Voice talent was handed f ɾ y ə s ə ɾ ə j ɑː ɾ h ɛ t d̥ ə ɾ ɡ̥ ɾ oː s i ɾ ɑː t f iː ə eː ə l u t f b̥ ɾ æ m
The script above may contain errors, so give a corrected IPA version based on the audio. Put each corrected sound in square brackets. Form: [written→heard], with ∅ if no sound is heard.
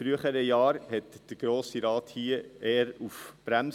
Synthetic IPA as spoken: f ɾ y ə [s→χ] ə ɾ ə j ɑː ɾ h ɛ t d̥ ə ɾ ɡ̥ ɾ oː s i ɾ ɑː t [f→h] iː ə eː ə [l→ɾ] u [t→∅] f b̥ ɾ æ m